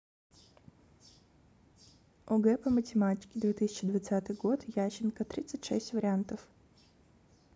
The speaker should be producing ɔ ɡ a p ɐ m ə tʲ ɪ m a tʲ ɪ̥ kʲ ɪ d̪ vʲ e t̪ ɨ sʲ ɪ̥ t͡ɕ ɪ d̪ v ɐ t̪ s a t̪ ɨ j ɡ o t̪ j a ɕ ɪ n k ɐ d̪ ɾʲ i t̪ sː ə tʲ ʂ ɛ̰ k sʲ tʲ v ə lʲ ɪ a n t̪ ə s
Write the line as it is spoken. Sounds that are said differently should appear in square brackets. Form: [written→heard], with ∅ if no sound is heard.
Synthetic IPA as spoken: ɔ ɡ [a→ɛ] p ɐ m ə tʲ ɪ m a tʲ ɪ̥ kʲ ɪ d̪ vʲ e t̪ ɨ sʲ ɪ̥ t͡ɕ ɪ d̪ v ɐ t̪ s a t̪ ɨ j ɡ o t̪ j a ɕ ɪ n k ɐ [d̪→t̪] ɾʲ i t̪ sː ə tʲ ʂ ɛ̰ [k→∅] sʲ tʲ v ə [lʲ→ɾʲ] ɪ a n t̪ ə [s→f]